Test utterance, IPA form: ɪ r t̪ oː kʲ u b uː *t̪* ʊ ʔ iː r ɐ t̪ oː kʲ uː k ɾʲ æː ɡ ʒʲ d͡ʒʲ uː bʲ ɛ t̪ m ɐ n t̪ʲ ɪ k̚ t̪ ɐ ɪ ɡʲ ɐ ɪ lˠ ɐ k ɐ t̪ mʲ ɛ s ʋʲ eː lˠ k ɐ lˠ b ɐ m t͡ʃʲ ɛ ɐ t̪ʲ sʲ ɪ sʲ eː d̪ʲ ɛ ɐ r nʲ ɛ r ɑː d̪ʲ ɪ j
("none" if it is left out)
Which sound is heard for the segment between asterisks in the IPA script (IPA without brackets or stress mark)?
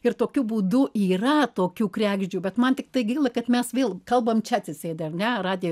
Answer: d̪